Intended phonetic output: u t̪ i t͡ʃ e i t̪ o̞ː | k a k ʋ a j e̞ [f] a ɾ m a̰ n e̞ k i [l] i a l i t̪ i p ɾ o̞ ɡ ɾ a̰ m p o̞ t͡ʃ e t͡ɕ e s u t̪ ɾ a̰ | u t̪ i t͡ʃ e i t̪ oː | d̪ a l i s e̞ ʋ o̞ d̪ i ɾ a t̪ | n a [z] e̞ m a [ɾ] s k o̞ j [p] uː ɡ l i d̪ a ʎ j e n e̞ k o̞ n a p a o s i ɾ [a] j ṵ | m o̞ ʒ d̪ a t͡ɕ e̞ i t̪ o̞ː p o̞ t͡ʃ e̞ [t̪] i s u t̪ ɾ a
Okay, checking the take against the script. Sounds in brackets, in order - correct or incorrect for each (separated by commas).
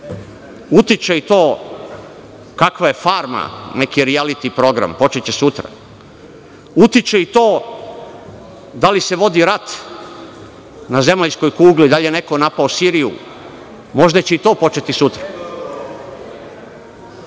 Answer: correct, incorrect, correct, incorrect, incorrect, incorrect, correct